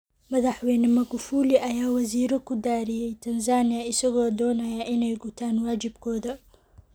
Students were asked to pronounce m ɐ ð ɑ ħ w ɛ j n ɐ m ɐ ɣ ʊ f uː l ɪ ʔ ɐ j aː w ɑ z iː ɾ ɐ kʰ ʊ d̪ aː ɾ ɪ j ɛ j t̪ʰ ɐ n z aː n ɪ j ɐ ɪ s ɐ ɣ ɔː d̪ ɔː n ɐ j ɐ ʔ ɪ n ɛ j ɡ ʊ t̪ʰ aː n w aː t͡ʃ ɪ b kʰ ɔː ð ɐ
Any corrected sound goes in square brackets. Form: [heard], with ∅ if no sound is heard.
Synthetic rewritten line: m ɐ ð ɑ ħ w ɛ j n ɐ m ɐ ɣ ʊ f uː l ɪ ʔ ɐ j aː w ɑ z iː ɾ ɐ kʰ ʊ d̪ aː ɾ ɪ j ɛ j t̪ʰ ɐ n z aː n ɪ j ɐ ɪ s ɐ ɣ ɔː d̪ ɔː n ɐ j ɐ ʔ ɪ n ɛ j ɡ ʊ t̪ʰ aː n w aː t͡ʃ ɪ b kʰ ɔː ð ɐ

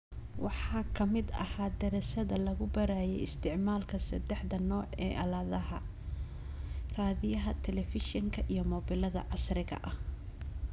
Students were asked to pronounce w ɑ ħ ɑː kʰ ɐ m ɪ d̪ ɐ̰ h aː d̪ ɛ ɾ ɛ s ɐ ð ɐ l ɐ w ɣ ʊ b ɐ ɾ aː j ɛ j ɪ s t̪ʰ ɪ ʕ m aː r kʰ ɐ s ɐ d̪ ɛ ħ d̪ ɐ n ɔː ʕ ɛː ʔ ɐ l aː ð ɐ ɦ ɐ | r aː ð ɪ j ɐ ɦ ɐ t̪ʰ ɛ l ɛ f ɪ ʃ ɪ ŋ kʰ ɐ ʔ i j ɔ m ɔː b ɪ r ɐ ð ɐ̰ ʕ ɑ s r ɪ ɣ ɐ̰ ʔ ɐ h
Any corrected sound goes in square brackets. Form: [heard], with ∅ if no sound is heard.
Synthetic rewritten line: w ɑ ħ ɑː kʰ ɐ m ɪ d̪ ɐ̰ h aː d̪ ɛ ɾ ɛ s ɐ ð ɐ l ɐ [∅] ɣ ʊ b ɐ ɾ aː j ɛ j ɪ s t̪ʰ ɪ ʕ m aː [l] kʰ ɐ s ɐ d̪ ɛ ħ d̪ ɐ n ɔː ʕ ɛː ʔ ɐ l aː ð ɐ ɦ ɐ | r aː ð ɪ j ɐ ɦ ɐ t̪ʰ ɛ l ɛ f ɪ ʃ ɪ ŋ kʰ ɐ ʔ i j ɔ m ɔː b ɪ [l] ɐ ð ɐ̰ ʕ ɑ s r ɪ ɣ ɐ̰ ʔ ɐ h

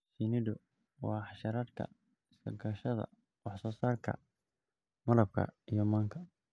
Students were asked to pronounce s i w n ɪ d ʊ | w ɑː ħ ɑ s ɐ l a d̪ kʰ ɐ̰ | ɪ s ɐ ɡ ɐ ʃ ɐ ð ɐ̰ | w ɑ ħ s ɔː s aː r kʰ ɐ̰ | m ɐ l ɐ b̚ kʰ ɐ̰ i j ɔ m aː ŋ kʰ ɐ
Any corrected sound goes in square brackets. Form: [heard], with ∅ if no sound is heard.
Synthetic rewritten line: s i [∅] n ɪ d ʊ | w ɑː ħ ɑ [ʃ] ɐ [ɾ] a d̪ kʰ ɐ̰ | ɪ s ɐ ɡ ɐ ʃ ɐ ð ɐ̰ | w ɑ ħ s ɔː s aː r kʰ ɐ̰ | m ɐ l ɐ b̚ kʰ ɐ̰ i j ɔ m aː ŋ kʰ ɐ

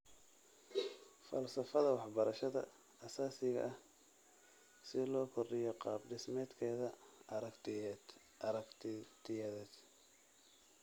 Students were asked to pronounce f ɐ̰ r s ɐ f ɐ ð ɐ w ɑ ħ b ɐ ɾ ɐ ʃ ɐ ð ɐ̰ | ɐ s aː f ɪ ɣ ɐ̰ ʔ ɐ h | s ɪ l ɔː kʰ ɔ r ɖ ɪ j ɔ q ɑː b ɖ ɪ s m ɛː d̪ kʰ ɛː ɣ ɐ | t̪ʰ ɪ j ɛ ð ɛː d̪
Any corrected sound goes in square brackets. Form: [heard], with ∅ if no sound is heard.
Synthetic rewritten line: f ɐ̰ [l] s ɐ f ɐ ð ɐ w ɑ ħ b ɐ ɾ ɐ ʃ ɐ ð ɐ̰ | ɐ s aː [s] ɪ ɣ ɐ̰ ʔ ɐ h | s ɪ l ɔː kʰ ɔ r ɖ ɪ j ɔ q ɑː b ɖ ɪ s m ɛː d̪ kʰ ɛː [ð] ɐ | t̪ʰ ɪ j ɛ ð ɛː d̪

